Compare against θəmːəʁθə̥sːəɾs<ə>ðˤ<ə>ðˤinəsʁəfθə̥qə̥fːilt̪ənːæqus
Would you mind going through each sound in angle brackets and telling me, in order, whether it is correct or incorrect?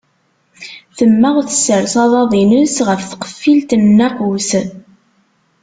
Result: incorrect: ɑ, incorrect: ɑ

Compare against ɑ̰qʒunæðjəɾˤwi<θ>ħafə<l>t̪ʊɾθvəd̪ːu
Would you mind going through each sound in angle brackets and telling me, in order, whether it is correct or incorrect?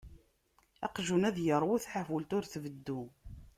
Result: correct, correct

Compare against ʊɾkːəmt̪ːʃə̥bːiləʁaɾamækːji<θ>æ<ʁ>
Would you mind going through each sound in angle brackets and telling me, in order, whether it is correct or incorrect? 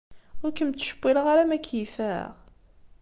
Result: incorrect: f, correct

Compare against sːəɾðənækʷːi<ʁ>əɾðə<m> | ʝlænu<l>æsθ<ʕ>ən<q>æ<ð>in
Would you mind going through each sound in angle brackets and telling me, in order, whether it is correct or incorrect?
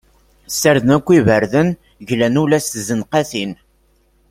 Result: incorrect: v, incorrect: n, correct, incorrect: z, correct, incorrect: θ

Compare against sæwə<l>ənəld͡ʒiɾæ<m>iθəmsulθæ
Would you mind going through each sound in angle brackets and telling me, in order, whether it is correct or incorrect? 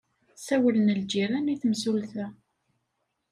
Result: correct, incorrect: n

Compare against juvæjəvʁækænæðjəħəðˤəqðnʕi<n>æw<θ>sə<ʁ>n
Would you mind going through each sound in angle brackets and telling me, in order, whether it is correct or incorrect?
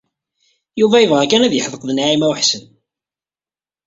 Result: incorrect: m, incorrect: ħ, incorrect: none

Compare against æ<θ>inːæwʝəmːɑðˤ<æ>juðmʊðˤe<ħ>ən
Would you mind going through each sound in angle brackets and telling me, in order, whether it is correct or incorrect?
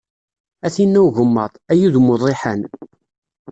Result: correct, correct, correct

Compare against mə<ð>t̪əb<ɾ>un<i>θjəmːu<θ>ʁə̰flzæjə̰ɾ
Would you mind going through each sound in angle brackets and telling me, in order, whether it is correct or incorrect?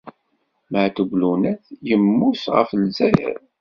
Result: incorrect: ʕ, incorrect: l, incorrect: æ, incorrect: s

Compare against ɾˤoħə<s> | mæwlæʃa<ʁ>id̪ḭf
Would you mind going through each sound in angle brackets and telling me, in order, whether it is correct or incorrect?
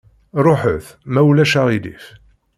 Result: incorrect: θ, correct

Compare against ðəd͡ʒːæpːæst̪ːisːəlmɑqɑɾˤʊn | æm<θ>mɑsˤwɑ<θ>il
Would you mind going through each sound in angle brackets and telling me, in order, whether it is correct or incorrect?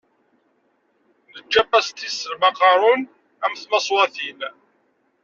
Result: correct, correct

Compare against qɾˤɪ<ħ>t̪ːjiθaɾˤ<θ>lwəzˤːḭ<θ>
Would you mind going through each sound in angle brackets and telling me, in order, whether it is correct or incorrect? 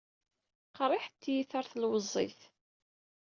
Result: correct, correct, correct

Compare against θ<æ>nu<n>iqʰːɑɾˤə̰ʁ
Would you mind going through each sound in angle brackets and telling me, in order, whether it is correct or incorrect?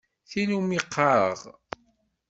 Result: incorrect: i, incorrect: m

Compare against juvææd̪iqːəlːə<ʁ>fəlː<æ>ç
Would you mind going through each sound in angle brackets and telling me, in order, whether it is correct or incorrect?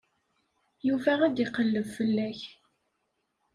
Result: incorrect: v, correct

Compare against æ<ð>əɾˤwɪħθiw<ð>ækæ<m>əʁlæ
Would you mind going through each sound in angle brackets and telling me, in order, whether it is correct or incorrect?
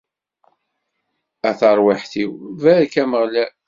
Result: incorrect: θ, incorrect: v, correct

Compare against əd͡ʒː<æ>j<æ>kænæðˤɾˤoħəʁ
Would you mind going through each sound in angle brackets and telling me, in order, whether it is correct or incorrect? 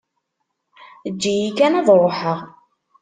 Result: incorrect: i, incorrect: i

